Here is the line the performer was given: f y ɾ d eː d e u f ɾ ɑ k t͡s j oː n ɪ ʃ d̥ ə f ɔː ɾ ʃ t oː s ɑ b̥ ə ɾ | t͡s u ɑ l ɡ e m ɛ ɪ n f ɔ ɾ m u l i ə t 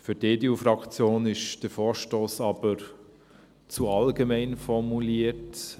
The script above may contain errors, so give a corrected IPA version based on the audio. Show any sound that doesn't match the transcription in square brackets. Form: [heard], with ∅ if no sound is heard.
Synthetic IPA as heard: f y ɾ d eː d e u f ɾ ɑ k t͡s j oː n ɪ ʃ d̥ ə f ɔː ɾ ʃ t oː s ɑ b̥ ə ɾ | t͡s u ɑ l ɡ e m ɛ ɪ n f ɔ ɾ m u l i ə t